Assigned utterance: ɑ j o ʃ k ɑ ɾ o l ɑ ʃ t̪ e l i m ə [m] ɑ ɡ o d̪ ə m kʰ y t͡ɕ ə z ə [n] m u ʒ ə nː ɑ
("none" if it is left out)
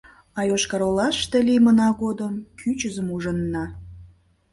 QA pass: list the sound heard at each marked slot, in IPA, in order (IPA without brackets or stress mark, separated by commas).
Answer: n, none